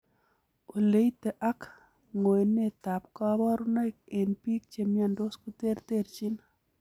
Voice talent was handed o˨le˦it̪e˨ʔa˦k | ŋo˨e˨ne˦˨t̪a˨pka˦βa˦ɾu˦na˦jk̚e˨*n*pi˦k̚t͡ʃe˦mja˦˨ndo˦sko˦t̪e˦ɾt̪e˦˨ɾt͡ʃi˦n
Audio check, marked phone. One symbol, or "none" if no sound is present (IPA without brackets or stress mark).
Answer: n